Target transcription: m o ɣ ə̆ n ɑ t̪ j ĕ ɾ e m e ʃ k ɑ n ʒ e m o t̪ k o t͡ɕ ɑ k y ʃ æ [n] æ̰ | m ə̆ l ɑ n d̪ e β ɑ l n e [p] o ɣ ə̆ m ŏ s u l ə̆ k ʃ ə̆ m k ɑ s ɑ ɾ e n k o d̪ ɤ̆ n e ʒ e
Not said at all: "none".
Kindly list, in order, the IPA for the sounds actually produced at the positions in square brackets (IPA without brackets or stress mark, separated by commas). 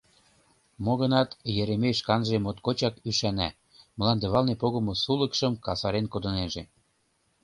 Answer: n, p